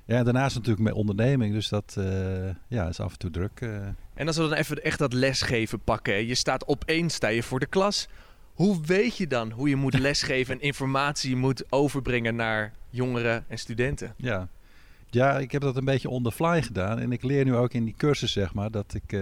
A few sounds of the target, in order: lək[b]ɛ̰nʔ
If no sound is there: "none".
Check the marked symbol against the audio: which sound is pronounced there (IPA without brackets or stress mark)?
m